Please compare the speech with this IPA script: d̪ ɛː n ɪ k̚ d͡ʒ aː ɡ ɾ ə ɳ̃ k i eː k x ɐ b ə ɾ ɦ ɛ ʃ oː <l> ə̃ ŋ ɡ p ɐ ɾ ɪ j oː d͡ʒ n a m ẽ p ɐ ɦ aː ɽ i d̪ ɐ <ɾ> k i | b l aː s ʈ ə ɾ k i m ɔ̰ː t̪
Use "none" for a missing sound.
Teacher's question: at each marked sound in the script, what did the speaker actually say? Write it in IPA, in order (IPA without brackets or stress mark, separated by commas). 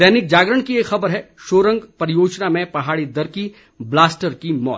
ɾ, ɾ